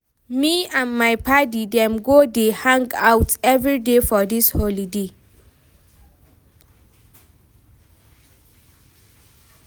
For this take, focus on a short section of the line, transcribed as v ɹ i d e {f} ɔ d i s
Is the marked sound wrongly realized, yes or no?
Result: no